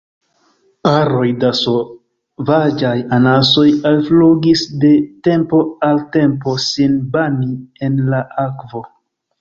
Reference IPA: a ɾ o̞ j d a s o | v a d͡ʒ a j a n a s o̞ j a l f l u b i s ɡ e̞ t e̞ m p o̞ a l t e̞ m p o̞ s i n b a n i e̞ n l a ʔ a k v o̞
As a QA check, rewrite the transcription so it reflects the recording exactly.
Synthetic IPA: a ɾ o̞ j d a s o | v a d͡ʒ a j a n a s o̞ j a l f l u ɡ i s d e̞ t e̞ m p o̞ a l t e̞ m p o̞ s i n b a n i e̞ n l a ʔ a k v o̞